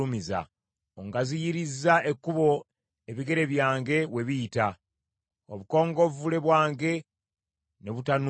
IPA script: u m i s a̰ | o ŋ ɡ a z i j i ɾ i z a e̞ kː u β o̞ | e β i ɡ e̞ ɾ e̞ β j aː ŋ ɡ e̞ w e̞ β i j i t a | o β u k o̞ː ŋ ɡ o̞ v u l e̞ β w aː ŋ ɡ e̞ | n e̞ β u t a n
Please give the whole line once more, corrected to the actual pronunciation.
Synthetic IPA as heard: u m i z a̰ | o ŋ ɡ a z i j i ɾ i z a e̞ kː u β o̞ | e β i ɡ e̞ ɾ e̞ β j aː ŋ ɡ e̞ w e̞ β i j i t a | o β u k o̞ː ŋ ɡ o̞ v u l e̞ β w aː ŋ ɡ e̞ | n e̞ β u t a n